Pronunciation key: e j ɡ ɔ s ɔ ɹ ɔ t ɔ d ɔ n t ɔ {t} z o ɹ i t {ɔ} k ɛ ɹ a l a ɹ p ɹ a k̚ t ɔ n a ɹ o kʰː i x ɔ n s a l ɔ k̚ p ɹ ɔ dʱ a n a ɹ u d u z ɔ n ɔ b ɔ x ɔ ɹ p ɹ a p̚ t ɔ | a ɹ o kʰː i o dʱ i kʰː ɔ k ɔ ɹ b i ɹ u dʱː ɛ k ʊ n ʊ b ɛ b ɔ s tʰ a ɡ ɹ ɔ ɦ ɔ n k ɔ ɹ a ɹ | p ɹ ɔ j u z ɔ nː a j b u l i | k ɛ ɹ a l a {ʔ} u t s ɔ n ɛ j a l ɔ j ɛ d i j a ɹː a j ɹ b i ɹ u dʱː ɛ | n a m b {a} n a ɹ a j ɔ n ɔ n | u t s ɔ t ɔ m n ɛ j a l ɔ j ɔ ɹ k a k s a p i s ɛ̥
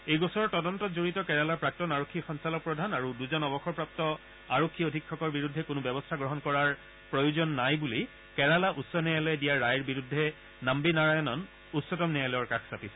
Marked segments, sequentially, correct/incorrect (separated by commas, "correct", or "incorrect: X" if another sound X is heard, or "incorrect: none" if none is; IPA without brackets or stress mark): correct, correct, correct, incorrect: i